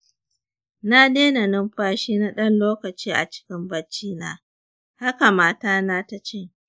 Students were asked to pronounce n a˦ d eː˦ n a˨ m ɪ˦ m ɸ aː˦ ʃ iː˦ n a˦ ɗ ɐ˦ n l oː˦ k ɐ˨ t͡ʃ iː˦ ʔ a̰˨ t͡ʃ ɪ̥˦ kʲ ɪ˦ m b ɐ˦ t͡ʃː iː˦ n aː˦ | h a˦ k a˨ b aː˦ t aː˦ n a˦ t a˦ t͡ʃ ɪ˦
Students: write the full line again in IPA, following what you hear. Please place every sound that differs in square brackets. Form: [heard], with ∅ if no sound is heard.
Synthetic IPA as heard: n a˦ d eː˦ n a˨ [n] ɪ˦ m ɸ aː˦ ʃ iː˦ n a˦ ɗ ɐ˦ n l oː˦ k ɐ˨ t͡ʃ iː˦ ʔ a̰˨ t͡ʃ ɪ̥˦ kʲ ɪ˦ m b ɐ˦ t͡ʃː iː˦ n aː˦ | h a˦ k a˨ [m] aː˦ t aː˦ n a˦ t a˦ t͡ʃ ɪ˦